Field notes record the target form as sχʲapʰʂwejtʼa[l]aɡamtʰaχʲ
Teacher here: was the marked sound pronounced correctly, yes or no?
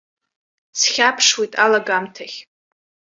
yes